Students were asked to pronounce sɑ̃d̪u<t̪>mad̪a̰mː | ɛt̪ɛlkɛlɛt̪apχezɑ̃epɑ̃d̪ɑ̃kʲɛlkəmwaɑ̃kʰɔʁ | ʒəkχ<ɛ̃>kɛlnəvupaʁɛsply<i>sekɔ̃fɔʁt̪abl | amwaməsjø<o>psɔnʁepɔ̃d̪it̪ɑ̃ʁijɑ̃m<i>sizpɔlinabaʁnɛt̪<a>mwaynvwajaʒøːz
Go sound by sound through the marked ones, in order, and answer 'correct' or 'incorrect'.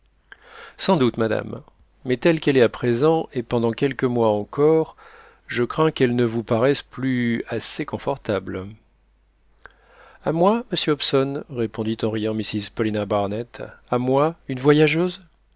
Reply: correct, correct, incorrect: a, incorrect: ɔ, correct, correct

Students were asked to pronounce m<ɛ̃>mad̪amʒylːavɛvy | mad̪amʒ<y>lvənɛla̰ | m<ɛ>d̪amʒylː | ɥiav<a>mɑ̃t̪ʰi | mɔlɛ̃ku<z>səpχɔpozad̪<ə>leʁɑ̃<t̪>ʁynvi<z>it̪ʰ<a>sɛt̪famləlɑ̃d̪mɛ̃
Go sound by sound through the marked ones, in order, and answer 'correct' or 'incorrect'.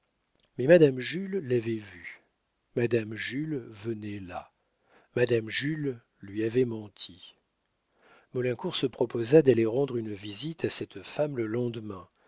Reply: incorrect: ɛ, correct, incorrect: a, incorrect: ɛ, incorrect: ʁ, incorrect: a, incorrect: d̪, correct, correct

